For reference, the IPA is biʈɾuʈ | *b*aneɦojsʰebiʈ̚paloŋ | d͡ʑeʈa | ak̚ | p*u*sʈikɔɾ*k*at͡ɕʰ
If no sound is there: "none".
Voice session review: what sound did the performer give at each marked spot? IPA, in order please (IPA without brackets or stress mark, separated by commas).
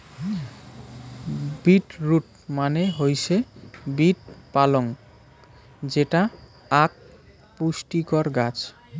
m, u, ɡ